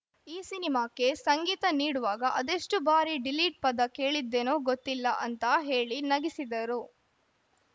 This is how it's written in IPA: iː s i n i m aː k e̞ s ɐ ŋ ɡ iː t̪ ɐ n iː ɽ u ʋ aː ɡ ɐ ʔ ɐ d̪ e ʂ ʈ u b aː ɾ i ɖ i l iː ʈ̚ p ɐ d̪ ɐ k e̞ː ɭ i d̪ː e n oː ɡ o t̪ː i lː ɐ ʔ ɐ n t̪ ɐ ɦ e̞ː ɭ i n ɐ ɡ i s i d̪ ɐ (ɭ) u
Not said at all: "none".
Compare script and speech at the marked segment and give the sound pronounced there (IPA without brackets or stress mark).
ɾ